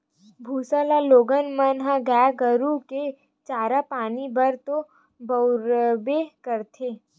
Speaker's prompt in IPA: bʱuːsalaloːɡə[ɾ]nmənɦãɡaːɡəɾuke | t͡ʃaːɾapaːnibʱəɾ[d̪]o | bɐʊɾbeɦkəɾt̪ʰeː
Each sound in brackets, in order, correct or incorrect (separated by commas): incorrect, incorrect